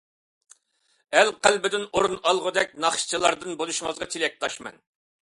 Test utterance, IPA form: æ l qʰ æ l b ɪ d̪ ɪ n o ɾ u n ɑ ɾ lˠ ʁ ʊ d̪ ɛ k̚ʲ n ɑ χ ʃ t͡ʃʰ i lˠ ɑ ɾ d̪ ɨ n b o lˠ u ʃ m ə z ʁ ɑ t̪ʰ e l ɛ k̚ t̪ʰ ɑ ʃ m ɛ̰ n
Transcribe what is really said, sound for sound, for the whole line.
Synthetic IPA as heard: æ l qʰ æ l b ɪ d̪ ɪ n o ɾ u n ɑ lˠ ʁ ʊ d̪ ɛ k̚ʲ n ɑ χ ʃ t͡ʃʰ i lˠ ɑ ɾ d̪ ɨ n b o lˠ u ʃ ŋ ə z ʁ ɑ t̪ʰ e l ɛ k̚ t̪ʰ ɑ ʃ m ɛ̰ n